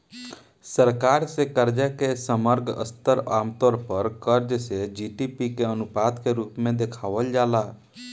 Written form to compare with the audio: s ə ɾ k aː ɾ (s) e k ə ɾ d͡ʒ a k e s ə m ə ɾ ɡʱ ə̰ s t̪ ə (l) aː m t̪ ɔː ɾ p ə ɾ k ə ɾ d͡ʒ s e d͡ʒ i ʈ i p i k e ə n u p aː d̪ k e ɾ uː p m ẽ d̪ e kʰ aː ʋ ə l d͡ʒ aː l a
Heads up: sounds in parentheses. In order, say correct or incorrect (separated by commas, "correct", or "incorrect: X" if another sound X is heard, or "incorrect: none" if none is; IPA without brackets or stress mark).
correct, incorrect: ɾ